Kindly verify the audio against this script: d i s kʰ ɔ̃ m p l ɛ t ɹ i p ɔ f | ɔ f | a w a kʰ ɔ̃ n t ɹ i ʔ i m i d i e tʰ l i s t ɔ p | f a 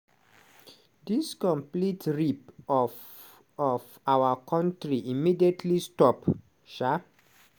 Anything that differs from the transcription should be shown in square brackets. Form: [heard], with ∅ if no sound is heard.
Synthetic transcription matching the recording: d i s [k] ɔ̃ m p l [i] t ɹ i p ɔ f | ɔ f | a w a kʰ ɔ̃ n t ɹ i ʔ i m i d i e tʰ l i s t ɔ p | [ʃ] a